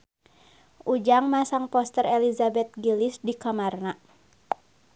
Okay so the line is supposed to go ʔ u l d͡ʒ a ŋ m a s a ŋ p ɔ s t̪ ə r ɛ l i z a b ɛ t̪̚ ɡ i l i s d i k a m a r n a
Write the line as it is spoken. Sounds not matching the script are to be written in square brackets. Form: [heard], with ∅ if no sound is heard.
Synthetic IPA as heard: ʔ u [∅] d͡ʒ a ŋ m a s a ŋ p ɔ s t̪ ə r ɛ l i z a b ɛ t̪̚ ɡ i l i s d i k a m a r n a